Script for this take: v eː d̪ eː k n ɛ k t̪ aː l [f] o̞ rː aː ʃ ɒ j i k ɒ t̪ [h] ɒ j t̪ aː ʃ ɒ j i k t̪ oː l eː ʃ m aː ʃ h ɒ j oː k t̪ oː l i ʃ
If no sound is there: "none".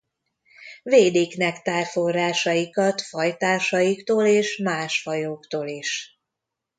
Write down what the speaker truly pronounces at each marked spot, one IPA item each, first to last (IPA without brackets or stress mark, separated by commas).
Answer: f, f